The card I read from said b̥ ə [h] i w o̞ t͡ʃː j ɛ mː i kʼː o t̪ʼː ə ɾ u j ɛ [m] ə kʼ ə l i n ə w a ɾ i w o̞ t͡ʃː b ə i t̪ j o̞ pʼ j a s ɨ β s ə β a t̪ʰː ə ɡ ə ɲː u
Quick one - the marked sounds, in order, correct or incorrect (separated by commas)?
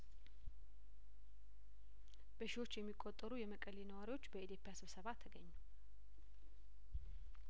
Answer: incorrect, correct